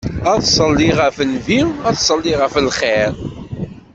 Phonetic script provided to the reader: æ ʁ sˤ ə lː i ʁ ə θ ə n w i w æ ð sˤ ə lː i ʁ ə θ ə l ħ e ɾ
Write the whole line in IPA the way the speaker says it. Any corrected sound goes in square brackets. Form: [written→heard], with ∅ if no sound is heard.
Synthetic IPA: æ [ʁ→ð] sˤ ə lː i ʁ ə [θ→f] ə n [w→v] i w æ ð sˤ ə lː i ʁ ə [θ→f] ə l [ħ→χ] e ɾ